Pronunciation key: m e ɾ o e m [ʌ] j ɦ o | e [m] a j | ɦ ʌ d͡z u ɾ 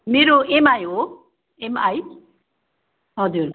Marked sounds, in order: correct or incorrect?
incorrect, correct

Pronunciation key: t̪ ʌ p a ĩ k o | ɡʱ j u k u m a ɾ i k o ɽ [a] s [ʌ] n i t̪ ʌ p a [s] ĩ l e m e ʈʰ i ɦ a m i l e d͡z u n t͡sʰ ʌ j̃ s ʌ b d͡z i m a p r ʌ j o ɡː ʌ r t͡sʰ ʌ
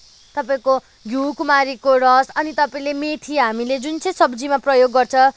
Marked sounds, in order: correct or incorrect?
incorrect, correct, incorrect

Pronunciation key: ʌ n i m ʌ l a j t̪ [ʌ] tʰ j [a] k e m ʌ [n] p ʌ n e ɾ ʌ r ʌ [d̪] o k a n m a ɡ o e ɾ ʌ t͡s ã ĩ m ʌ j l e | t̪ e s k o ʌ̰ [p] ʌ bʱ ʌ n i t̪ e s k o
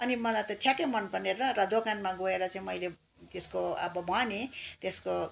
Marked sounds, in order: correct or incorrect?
correct, correct, correct, correct, incorrect

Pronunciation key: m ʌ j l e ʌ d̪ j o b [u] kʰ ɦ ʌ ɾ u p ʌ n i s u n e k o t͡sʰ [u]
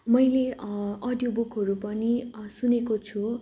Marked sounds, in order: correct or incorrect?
correct, correct

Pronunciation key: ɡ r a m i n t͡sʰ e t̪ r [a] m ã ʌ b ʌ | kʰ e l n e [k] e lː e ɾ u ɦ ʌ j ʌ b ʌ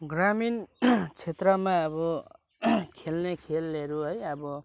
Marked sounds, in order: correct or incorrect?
incorrect, incorrect

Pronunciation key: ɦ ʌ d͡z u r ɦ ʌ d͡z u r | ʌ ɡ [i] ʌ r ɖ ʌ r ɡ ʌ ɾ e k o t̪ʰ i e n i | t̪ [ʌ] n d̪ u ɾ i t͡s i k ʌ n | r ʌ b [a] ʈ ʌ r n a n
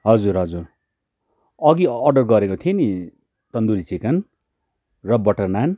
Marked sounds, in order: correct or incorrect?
correct, correct, incorrect

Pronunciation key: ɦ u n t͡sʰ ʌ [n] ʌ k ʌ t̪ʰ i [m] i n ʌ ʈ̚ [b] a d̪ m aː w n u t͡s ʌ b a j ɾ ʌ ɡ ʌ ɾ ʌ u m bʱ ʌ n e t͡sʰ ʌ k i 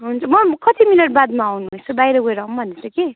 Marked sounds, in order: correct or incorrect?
incorrect, correct, correct

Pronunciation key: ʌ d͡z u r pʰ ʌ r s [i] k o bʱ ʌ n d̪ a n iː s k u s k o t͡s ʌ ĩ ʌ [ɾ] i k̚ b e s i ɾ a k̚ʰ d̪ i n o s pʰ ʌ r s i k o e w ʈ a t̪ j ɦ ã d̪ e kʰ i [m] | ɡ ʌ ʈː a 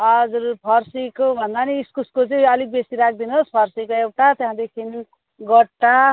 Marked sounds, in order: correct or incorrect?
correct, incorrect, incorrect

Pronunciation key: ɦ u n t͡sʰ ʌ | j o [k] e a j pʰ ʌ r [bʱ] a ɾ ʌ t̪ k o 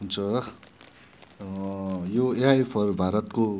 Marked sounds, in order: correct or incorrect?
incorrect, correct

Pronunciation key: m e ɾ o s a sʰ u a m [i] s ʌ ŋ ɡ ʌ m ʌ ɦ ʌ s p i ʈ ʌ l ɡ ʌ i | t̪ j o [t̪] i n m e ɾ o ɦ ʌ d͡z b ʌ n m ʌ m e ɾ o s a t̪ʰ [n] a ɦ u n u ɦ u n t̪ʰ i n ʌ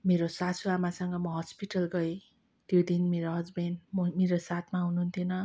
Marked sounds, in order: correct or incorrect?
incorrect, incorrect, incorrect

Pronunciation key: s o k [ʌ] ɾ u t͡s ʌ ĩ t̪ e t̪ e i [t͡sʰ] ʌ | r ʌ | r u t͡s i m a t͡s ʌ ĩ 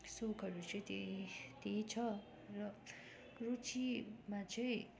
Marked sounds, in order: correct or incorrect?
correct, correct

